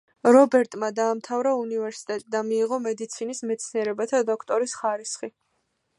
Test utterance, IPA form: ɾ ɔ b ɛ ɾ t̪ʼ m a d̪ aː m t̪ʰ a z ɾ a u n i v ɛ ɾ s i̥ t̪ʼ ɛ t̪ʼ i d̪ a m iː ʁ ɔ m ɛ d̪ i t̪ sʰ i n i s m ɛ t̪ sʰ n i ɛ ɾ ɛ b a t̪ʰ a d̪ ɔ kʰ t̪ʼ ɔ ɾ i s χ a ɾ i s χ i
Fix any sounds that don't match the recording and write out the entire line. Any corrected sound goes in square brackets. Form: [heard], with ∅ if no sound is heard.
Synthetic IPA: ɾ ɔ b ɛ ɾ t̪ʼ m a d̪ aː m t̪ʰ a [v] ɾ a u n i v ɛ ɾ s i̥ t̪ʼ ɛ t̪ʼ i d̪ a m iː ʁ ɔ m ɛ d̪ i t̪ sʰ i n i s m ɛ t̪ sʰ n i ɛ ɾ ɛ b a t̪ʰ a d̪ ɔ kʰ t̪ʼ ɔ ɾ i s χ a ɾ i s χ i